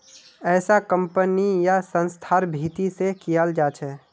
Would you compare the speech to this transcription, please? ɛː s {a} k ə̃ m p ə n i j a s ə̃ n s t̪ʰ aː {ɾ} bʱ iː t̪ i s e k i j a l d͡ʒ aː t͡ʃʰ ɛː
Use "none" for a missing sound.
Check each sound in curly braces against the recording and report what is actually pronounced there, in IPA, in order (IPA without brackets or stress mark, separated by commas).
a, ɾ